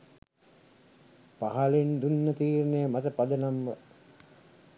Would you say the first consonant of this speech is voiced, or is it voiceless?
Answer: voiceless